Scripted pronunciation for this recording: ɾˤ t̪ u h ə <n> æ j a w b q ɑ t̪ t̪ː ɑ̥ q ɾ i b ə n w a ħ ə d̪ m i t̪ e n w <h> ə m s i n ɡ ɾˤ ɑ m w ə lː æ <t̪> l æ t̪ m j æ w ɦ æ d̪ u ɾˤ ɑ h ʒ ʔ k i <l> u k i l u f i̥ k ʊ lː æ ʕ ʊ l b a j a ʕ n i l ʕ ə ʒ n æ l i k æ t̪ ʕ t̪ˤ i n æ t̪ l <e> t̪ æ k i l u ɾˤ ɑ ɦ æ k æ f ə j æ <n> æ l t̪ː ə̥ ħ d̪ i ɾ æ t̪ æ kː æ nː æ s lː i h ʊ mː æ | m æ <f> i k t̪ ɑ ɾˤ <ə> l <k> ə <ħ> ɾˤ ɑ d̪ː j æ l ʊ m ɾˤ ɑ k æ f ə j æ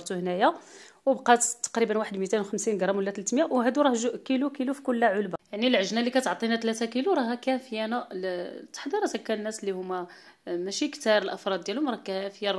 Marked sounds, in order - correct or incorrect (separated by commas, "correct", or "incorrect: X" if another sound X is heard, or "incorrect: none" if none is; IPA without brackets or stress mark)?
correct, incorrect: x, correct, correct, incorrect: æ, correct, incorrect: ʃ, correct, incorrect: ʔ, incorrect: f